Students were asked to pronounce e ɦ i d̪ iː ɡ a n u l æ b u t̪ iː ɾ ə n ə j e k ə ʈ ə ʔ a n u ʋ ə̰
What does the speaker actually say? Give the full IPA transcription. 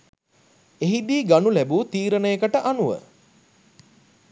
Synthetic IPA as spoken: e ɦ i d̪ iː ɡ a n u l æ b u t̪ iː ɾ ə n ə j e k ə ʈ ə ʔ a n u ʋ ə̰